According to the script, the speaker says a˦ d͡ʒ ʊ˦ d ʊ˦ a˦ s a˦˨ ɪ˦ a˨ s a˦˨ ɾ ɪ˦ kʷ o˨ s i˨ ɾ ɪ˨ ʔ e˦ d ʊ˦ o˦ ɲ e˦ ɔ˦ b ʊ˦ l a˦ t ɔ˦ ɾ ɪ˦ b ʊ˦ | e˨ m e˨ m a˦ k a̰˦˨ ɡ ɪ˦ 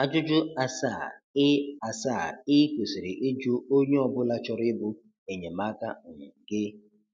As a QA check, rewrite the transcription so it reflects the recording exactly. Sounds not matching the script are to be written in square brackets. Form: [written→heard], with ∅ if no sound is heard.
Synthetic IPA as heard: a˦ d͡ʒ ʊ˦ [d→d͡ʒ] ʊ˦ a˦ s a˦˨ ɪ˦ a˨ s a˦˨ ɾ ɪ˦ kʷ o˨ s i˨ ɾ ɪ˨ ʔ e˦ [d→d͡ʒ] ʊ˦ o˦ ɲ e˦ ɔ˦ b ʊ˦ l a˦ [t→t͡ʃ] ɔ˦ ɾ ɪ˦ b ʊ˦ | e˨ [m→ɲ] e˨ m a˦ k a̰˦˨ ɡ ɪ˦